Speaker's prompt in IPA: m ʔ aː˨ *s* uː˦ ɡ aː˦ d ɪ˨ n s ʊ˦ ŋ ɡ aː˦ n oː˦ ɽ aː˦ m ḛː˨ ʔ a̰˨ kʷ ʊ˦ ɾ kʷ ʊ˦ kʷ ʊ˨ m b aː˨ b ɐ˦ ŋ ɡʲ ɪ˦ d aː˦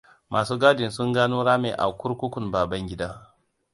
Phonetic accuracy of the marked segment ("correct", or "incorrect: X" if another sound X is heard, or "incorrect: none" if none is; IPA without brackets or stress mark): correct